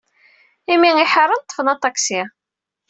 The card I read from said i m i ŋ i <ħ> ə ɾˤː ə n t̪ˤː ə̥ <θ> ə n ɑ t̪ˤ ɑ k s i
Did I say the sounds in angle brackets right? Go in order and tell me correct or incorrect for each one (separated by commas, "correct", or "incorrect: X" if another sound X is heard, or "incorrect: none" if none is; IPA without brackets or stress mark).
correct, incorrect: f